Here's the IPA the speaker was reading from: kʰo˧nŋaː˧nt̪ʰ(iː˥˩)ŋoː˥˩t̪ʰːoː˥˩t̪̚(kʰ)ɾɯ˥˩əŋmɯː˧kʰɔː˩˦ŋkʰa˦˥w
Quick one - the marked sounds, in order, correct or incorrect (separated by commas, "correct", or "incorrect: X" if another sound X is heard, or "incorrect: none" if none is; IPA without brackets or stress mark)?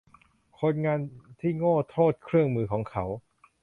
correct, correct